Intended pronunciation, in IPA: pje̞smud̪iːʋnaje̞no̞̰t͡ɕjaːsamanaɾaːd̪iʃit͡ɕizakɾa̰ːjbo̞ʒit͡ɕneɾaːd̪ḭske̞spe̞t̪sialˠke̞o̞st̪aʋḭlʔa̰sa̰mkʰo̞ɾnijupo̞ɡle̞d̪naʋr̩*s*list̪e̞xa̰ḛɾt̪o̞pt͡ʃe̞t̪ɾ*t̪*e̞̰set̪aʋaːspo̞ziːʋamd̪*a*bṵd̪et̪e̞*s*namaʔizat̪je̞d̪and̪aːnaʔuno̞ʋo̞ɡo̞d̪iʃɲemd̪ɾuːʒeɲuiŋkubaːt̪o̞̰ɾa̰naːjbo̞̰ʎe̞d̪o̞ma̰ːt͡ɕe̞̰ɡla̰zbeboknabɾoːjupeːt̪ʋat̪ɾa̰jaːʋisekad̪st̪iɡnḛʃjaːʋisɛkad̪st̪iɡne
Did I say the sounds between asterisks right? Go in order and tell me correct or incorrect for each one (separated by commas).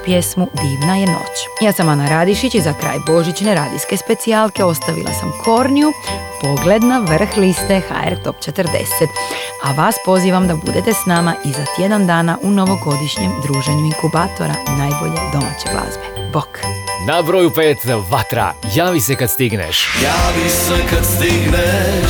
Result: incorrect, incorrect, correct, correct